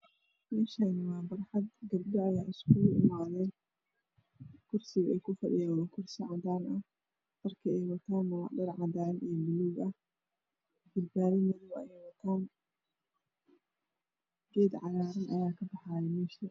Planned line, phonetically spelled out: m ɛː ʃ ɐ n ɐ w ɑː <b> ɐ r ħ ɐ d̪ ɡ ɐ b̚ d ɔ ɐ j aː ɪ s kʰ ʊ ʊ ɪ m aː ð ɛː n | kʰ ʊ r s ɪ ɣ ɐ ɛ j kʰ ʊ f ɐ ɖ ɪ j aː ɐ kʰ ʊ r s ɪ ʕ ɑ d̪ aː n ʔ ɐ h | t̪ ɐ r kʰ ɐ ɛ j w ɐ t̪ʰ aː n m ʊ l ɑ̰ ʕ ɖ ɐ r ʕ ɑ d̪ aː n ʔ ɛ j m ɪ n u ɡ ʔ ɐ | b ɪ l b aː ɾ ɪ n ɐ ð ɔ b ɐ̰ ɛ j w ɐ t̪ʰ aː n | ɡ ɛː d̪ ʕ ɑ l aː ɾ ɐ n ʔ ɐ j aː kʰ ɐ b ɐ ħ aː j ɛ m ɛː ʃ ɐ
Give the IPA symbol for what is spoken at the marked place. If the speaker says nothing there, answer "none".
b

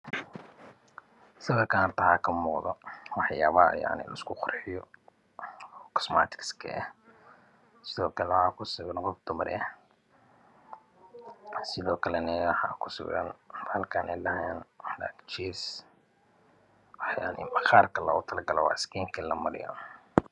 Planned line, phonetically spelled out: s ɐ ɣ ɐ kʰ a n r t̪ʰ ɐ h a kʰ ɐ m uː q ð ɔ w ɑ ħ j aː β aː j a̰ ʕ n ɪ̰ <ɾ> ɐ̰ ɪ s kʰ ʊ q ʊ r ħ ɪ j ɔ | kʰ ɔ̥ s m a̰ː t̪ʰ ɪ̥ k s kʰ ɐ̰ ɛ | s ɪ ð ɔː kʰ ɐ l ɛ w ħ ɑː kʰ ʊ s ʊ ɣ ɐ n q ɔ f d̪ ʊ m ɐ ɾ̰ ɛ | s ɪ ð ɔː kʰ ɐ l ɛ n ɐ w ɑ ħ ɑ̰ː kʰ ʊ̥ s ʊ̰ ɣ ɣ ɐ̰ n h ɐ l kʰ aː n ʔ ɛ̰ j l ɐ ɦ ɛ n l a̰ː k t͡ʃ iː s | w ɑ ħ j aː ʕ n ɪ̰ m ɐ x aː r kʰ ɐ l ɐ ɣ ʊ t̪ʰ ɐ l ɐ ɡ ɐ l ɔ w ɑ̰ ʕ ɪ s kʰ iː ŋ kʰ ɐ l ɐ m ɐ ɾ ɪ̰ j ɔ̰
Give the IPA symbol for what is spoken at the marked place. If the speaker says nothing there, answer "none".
l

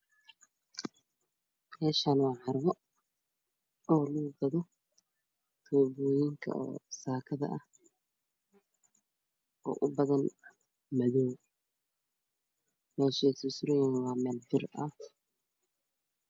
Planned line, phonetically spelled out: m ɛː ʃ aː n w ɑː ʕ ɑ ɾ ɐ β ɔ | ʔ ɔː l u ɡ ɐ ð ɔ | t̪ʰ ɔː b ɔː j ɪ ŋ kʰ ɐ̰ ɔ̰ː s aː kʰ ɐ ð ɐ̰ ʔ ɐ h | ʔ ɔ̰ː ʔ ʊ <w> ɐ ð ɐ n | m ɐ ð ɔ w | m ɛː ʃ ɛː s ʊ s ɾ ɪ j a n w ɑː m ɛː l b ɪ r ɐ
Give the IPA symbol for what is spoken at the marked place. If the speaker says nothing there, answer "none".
b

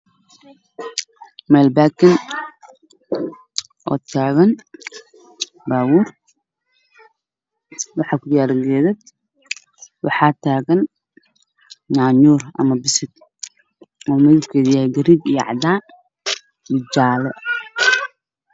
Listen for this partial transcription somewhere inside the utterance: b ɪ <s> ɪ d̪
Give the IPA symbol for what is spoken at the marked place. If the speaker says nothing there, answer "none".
s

